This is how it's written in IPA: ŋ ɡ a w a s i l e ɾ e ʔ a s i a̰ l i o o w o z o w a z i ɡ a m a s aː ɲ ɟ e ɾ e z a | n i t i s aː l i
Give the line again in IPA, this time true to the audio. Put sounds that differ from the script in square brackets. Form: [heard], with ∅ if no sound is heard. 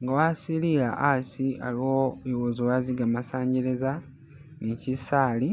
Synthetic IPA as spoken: ŋ ɡ a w a s i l [i] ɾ [a] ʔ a s i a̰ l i o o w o z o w a z i ɡ a m a s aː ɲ ɟ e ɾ e z a | n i [c] i s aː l i